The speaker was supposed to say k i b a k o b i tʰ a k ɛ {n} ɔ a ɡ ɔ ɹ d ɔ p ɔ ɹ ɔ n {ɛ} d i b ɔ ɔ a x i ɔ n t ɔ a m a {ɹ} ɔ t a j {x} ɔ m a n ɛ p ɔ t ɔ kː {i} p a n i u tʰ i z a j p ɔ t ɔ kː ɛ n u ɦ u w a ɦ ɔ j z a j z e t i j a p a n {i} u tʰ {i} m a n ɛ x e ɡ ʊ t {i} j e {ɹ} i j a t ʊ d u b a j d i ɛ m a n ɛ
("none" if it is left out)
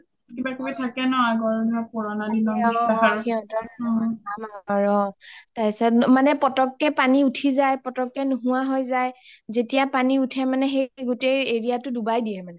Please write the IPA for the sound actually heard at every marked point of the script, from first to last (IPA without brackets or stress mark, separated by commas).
n, a, ɹ, s, ɛ, i, ɛ, e, ɹ